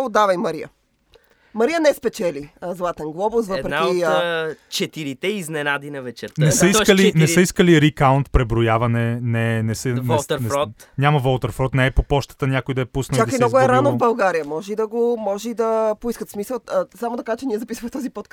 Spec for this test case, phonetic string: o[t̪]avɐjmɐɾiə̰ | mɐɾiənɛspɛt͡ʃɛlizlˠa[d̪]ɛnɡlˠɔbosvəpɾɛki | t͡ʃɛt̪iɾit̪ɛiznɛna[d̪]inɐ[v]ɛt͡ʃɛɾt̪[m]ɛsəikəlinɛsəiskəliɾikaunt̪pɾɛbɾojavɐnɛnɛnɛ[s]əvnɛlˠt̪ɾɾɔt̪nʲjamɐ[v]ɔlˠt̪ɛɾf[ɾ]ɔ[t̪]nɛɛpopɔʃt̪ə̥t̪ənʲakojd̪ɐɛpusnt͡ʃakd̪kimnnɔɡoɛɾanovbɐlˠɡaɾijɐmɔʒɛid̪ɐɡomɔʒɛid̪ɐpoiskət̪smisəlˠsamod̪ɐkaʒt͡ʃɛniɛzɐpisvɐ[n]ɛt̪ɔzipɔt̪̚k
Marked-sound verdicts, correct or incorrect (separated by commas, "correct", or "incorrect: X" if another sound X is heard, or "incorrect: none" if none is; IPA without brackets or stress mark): incorrect: d̪, incorrect: t̪, correct, correct, incorrect: n, correct, correct, correct, correct, incorrect: m